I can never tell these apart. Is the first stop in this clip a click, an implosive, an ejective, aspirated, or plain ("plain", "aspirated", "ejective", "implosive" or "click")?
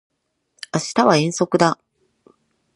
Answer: plain